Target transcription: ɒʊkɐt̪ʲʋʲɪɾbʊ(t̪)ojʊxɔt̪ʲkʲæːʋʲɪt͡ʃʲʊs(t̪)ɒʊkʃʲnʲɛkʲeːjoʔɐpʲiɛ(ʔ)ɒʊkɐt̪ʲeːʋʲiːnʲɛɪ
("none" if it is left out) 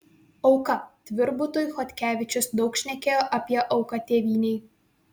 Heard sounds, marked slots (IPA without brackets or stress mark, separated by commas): t̪, d̪, ʔ